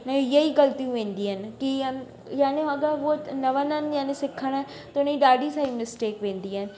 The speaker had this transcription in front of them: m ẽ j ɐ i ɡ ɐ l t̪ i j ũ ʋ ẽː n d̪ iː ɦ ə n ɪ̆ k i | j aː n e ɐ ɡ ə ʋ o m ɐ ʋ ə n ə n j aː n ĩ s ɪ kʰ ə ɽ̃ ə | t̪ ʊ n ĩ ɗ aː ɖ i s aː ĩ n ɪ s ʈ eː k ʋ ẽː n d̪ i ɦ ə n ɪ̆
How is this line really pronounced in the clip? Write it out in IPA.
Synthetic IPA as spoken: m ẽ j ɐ i ɡ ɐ l t̪ i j ũ ʋ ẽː n d̪ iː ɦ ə n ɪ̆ k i | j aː n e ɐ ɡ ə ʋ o n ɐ ʋ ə n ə n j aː n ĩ s ɪ kʰ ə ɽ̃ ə | t̪ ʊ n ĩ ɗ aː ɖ i s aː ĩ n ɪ s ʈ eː k ʋ ẽː n d̪ i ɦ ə n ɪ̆